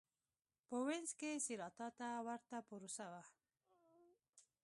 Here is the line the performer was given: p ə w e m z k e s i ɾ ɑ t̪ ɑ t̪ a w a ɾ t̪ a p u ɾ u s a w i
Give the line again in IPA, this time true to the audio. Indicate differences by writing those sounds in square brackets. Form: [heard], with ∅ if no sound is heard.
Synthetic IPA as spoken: p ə w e [n] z k e s i ɾ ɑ t̪ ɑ t̪ a w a ɾ t̪ a p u ɾ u s a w [a]